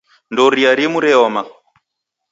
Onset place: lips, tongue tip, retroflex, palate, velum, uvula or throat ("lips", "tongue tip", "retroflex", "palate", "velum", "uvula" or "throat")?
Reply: tongue tip